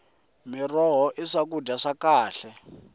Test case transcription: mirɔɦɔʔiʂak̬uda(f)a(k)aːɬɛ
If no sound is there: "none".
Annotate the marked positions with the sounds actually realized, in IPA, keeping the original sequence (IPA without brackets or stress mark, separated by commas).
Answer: ʂ, k